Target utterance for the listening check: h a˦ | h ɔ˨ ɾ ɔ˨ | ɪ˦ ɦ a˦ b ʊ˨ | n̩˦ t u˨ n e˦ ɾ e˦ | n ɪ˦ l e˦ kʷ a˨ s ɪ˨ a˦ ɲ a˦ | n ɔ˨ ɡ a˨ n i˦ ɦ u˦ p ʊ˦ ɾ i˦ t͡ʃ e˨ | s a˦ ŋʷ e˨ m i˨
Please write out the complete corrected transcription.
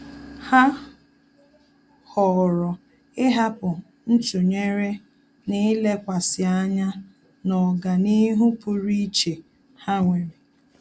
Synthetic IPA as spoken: h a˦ | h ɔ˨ ɾ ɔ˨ | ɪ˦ ɦ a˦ p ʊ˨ | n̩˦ t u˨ ɲ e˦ ɾ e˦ | n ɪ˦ l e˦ kʷ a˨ s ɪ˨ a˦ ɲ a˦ | n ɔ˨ ɡ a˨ n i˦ ɦ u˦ p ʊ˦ ɾ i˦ t͡ʃ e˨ | h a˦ ŋʷ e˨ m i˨

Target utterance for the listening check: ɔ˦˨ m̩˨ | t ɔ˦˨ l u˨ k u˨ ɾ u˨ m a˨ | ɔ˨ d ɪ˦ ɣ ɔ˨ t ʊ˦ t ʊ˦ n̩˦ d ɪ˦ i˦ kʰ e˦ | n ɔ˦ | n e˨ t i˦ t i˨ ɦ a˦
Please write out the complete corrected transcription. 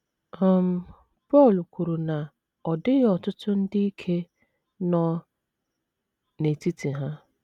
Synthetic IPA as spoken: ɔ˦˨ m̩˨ | p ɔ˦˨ l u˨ k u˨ ɾ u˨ n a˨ | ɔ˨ d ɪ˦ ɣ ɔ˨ t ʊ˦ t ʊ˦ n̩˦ d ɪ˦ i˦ kʰ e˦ | n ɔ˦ | n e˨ t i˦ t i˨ ɦ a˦

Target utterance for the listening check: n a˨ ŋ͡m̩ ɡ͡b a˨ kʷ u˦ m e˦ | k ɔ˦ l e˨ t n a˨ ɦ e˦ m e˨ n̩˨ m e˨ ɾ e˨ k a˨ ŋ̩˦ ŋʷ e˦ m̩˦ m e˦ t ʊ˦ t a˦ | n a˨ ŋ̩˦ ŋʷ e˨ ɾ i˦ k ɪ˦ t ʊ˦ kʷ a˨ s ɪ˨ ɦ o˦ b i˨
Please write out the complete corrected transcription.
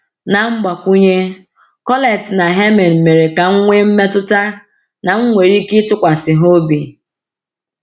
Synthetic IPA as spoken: n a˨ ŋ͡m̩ ɡ͡b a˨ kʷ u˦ ɲ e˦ | k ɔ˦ l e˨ t n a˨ ɦ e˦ m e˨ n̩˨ m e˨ ɾ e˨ k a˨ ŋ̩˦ ŋʷ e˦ m̩˦ m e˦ t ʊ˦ t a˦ | n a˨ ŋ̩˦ ŋʷ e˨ ɾ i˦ k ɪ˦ t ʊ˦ kʷ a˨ s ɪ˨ ɦ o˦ b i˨

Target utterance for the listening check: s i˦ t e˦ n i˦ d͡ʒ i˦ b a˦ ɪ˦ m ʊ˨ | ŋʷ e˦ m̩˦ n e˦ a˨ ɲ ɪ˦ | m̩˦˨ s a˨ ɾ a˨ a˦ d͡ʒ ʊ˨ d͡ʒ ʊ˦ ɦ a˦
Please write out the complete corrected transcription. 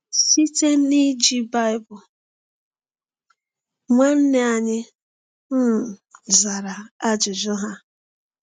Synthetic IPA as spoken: s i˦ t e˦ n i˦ d͡ʒ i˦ b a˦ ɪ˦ b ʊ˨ | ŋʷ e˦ n̩˦ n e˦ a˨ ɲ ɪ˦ | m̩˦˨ z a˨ ɾ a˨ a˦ d͡ʒ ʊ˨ d͡ʒ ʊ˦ ɦ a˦

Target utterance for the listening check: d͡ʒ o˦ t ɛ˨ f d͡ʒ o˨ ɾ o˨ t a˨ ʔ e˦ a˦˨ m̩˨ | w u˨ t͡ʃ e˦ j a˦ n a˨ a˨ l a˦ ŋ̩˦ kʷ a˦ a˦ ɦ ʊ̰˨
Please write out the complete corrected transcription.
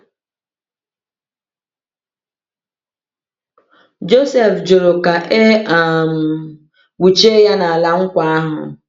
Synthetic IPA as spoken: d͡ʒ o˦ s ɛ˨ f d͡ʒ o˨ ɾ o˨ k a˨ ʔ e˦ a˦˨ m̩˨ | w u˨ t͡ʃ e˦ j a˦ n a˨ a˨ l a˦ ŋ̩˦ kʷ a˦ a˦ ɦ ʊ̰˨

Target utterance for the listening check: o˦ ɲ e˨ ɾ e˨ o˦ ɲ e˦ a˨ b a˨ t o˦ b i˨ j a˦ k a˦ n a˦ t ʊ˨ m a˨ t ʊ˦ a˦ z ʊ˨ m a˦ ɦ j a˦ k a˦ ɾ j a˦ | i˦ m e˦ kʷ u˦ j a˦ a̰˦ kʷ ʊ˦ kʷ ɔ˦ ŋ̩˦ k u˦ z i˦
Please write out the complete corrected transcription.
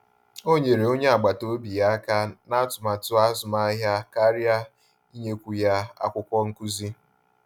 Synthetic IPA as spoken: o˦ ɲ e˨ ɾ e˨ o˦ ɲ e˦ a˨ ɡ͡b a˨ t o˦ b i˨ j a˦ k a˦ n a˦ t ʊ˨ m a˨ t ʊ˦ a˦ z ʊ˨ m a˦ ɦ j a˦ k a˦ ɾ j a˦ | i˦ ɲ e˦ kʷ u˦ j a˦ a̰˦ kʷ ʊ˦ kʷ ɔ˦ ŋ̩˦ k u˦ z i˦

